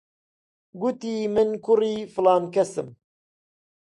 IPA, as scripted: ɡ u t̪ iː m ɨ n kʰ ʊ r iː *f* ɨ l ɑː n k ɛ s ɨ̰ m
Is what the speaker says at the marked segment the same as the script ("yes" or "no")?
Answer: yes